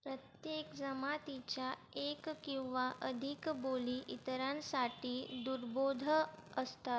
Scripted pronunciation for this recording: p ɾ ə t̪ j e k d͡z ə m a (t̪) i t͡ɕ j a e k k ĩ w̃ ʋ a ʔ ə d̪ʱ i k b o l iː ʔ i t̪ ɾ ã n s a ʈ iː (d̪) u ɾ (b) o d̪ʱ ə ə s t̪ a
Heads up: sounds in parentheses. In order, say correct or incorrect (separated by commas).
correct, correct, correct